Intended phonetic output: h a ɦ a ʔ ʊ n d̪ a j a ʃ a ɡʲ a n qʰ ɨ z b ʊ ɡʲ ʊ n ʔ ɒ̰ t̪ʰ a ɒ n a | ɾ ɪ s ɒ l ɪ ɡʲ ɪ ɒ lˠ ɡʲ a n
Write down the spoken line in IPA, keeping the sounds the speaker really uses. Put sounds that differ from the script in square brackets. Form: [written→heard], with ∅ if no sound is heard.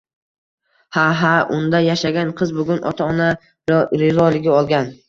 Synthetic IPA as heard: h a ɦ a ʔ ʊ n d̪ a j a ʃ a ɡʲ a n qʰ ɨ z b ʊ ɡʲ ʊ n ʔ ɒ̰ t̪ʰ a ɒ n a | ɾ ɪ [s→z] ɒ l ɪ ɡʲ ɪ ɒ lˠ ɡʲ a n